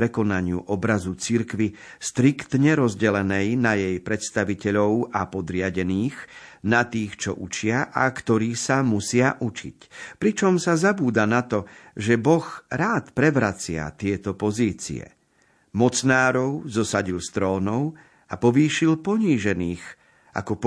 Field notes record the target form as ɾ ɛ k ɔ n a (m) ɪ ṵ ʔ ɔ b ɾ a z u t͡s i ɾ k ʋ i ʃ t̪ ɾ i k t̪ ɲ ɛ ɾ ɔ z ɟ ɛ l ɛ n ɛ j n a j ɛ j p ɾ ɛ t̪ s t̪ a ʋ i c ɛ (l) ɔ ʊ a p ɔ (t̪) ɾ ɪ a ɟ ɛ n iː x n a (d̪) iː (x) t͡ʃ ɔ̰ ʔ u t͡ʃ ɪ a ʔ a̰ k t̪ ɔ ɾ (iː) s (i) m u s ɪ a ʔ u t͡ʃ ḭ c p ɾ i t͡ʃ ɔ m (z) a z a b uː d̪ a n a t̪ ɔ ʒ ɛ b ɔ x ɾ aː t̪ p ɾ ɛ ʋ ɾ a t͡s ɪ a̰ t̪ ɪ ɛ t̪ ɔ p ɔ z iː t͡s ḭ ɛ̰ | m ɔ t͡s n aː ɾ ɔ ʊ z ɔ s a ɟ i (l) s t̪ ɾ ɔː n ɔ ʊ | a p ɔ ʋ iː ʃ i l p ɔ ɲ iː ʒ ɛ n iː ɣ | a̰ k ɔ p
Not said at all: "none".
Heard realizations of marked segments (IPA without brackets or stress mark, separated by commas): ɲ, ʎ, d̪, t̪, x, iː, a, s, l